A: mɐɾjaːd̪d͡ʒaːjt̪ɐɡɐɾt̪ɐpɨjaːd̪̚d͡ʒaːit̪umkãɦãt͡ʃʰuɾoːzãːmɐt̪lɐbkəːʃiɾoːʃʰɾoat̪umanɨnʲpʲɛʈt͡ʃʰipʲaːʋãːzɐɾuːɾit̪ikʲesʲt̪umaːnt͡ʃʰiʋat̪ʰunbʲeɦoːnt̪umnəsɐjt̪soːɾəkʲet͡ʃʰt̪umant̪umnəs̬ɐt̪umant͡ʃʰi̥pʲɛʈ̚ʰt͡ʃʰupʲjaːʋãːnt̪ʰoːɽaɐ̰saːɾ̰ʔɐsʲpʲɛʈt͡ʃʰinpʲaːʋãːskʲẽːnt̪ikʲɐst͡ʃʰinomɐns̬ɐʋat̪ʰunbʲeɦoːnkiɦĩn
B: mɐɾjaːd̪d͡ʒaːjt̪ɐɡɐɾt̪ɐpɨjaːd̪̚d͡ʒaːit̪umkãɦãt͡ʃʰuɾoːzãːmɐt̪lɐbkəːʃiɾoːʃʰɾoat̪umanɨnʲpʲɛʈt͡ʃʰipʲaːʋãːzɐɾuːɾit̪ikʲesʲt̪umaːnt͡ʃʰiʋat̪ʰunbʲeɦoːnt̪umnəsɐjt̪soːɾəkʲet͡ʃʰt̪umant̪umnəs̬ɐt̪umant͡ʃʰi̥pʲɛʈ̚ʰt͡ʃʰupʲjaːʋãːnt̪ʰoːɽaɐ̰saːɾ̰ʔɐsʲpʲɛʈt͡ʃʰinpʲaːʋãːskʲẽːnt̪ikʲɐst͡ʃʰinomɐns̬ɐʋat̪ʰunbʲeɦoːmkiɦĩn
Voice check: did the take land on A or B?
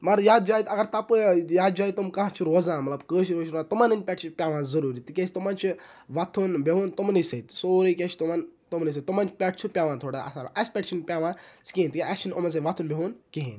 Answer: A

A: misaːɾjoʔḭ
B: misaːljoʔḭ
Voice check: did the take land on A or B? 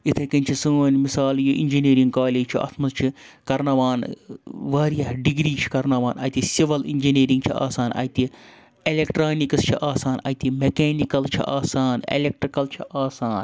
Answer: B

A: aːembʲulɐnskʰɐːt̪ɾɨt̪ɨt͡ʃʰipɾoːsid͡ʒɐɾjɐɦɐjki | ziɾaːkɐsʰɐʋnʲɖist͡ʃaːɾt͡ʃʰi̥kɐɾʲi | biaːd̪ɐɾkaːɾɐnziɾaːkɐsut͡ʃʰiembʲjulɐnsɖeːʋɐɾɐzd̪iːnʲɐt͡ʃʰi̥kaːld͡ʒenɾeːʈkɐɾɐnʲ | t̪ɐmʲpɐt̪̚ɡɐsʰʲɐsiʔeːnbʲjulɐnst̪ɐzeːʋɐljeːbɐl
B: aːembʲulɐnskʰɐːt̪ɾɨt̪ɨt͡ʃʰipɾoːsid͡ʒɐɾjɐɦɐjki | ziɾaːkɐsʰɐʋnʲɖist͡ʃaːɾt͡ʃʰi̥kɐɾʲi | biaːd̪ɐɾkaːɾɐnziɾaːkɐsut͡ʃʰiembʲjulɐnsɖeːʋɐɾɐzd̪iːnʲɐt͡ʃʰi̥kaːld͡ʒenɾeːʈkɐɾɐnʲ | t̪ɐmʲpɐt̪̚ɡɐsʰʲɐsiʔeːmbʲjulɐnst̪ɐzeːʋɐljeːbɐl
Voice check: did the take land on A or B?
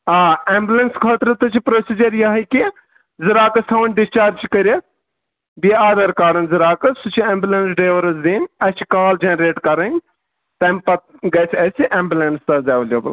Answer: B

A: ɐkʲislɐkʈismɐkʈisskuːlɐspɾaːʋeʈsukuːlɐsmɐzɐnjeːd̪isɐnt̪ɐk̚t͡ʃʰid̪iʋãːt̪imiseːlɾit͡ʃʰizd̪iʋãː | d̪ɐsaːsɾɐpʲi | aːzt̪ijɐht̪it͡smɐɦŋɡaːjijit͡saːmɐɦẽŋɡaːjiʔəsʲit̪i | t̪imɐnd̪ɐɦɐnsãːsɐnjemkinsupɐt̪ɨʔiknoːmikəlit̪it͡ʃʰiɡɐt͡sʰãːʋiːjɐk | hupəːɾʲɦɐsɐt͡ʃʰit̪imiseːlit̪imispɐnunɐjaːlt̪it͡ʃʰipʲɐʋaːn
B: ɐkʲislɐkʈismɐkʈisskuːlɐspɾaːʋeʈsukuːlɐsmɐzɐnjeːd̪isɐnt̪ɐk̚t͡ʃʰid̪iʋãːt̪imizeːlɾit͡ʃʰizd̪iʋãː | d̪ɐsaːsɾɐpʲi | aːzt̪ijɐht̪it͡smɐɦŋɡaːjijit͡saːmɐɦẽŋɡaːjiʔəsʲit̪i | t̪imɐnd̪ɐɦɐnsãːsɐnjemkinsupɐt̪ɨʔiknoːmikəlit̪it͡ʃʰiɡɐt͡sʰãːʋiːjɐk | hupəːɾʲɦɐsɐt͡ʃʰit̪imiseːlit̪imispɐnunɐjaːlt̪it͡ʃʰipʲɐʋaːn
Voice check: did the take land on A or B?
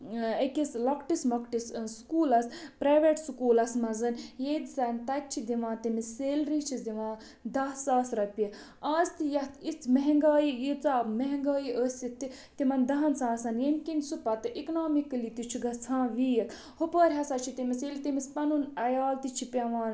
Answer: A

